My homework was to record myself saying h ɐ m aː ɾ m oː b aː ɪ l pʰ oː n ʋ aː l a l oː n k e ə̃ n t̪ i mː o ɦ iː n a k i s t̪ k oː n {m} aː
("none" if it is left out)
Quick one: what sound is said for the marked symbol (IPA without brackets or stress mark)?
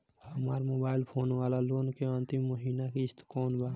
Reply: b